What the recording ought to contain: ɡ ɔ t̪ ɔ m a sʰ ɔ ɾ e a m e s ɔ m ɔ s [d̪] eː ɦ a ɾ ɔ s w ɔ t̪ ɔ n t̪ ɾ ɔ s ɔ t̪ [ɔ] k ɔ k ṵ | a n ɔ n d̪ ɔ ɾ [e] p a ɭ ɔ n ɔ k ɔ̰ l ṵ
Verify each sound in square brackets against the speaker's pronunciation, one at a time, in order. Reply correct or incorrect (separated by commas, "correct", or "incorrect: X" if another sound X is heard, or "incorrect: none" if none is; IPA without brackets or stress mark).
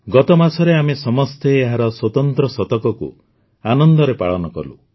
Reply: incorrect: t̪, correct, correct